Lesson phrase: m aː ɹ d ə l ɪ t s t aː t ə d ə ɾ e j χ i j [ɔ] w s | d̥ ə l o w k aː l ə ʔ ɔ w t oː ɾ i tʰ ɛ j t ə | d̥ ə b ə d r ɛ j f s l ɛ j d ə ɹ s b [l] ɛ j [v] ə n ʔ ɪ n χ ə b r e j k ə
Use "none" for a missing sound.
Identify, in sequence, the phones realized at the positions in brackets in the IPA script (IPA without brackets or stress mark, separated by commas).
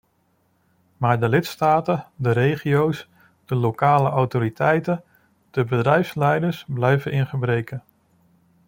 o, l, v